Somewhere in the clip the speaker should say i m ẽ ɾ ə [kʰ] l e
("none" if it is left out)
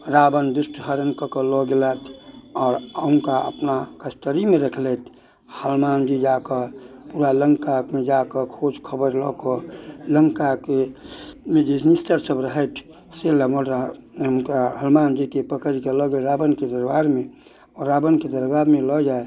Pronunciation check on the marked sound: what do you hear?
kʰ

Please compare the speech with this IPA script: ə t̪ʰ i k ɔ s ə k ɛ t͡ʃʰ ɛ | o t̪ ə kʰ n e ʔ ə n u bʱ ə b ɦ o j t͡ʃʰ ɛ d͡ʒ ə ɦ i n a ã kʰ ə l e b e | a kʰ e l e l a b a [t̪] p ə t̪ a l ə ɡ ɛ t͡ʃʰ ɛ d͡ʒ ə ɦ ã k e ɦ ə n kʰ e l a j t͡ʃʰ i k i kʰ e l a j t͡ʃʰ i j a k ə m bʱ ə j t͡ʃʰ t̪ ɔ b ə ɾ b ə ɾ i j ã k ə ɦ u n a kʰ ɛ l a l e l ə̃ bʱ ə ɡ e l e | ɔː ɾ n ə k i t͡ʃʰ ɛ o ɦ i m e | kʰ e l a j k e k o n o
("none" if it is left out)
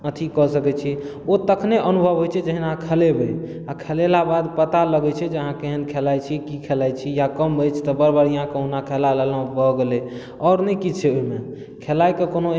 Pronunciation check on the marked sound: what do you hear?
d̪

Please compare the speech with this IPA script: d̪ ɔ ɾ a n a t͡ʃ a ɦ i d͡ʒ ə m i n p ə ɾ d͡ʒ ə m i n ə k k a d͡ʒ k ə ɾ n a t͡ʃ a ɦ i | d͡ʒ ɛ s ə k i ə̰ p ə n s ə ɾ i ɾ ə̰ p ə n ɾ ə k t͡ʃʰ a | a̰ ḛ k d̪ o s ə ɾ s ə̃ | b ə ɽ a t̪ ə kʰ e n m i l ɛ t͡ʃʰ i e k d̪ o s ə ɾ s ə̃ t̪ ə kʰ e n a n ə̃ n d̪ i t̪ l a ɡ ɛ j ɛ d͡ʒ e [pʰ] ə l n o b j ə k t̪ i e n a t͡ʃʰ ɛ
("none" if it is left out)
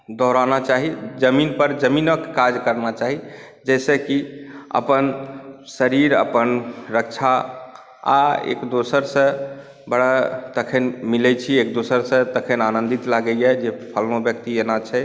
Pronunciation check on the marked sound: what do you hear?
pʰ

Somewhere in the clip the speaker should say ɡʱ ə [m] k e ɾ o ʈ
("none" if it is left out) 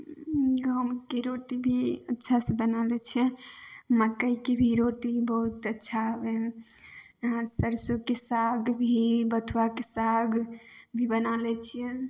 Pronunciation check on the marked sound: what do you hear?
m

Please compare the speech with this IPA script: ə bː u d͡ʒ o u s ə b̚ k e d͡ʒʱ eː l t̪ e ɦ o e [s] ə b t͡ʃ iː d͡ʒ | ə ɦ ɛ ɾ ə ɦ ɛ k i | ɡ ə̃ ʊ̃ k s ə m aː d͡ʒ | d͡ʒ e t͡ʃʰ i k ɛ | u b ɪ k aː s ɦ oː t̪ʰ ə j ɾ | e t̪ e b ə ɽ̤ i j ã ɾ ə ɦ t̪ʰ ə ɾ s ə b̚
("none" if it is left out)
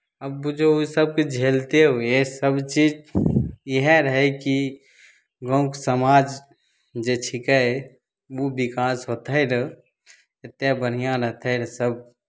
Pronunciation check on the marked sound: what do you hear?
s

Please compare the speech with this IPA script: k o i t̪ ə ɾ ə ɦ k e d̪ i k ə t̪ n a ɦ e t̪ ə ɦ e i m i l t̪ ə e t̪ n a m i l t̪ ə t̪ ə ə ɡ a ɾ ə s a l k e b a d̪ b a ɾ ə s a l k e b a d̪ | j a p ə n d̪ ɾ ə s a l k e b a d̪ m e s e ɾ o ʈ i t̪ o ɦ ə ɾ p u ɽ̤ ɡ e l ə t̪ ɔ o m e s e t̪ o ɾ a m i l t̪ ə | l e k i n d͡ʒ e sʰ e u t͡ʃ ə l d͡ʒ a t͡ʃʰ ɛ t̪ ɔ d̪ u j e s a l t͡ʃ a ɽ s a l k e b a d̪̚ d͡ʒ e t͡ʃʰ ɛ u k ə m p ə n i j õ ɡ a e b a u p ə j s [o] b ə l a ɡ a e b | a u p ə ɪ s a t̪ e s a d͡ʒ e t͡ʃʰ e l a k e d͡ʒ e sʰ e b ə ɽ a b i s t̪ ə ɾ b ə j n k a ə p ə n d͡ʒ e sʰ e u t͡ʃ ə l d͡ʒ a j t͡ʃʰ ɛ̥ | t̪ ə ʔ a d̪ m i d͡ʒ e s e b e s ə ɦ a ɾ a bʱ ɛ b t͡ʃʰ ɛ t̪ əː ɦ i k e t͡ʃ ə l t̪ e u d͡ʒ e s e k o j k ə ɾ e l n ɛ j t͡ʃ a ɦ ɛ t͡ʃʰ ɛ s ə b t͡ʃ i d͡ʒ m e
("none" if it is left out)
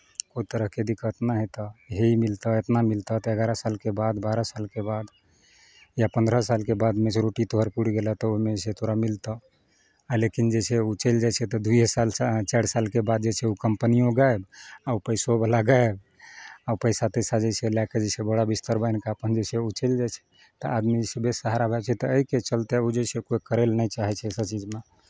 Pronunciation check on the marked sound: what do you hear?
o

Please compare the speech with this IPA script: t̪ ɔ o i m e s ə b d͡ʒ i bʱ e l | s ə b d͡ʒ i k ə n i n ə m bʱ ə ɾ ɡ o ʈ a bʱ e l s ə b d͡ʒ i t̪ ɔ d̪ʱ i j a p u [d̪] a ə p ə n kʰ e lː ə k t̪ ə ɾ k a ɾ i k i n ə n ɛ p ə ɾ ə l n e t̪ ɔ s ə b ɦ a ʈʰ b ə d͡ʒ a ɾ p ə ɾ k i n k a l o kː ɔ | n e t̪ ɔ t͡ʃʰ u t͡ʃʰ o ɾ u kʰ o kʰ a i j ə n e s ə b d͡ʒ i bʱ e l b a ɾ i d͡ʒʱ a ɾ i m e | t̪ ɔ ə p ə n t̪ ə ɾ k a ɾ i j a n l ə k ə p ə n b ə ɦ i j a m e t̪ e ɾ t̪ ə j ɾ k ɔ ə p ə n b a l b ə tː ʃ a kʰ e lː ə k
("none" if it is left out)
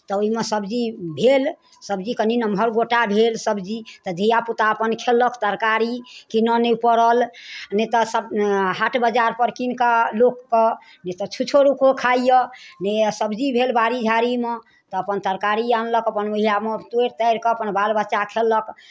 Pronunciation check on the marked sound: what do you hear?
t̪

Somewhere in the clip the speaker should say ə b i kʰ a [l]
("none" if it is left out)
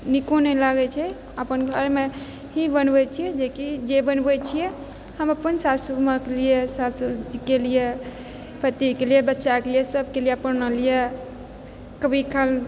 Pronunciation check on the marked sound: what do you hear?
l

